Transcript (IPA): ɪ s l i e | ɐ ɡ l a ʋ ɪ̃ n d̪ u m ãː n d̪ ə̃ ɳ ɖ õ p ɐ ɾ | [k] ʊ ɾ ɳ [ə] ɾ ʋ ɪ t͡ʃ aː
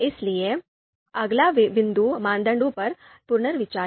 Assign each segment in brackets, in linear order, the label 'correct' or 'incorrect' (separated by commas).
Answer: incorrect, correct